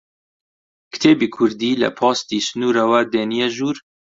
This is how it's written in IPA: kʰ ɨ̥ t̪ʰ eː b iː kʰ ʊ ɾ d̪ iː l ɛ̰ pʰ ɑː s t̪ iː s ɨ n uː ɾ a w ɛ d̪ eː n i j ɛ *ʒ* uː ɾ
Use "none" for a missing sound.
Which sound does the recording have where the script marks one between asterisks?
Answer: ʒ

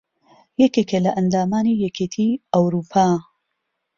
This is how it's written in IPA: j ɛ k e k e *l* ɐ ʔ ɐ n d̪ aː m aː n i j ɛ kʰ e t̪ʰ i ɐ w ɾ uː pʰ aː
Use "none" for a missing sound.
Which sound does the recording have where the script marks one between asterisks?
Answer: l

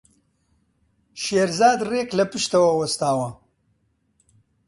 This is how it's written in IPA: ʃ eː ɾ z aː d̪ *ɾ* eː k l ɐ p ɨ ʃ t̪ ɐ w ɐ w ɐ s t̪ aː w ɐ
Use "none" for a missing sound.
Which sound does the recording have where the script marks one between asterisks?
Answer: r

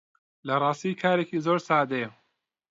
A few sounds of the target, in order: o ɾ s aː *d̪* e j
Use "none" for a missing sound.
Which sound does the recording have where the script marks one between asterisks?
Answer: d̪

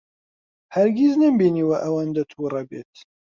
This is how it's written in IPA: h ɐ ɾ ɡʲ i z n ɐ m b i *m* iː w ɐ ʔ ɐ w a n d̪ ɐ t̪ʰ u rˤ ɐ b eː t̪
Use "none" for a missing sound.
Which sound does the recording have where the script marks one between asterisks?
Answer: n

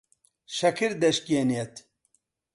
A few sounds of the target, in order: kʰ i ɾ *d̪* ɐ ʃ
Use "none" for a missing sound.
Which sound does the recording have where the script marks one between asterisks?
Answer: d̪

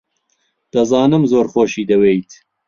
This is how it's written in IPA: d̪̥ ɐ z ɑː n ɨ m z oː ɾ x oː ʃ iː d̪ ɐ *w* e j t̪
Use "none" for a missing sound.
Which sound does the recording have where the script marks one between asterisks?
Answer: w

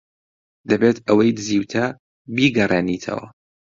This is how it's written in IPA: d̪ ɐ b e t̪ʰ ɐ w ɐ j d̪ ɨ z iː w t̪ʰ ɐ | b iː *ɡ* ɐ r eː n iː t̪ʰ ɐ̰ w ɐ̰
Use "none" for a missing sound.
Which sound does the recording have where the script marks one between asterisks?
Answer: ɡ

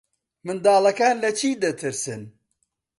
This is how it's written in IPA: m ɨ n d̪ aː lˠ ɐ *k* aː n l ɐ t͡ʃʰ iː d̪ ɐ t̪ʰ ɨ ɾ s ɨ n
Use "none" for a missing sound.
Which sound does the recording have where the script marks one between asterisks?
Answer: k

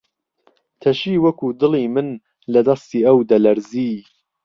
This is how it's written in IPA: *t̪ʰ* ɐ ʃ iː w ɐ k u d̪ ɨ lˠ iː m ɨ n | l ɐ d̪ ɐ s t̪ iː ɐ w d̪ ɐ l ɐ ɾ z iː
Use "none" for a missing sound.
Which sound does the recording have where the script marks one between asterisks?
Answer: t̪ʰ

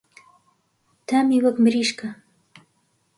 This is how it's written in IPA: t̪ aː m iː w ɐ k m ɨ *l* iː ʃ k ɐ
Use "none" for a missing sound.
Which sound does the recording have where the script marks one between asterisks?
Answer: ɾ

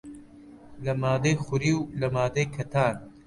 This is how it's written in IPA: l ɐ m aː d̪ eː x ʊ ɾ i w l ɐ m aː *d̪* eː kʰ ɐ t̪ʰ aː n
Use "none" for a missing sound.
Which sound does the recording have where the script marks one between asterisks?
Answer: d̪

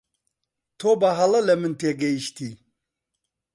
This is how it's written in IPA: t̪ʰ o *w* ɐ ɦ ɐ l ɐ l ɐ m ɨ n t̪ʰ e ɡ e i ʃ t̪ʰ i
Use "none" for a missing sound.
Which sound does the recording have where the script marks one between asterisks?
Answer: b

